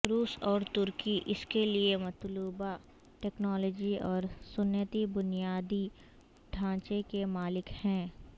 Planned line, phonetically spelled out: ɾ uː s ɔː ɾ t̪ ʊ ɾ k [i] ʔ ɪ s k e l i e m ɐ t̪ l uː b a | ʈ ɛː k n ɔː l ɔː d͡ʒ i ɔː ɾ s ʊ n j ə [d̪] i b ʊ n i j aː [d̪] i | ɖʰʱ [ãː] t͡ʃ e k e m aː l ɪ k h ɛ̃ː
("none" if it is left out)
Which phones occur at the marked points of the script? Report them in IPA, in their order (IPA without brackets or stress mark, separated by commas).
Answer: i, t̪, d̪, ãː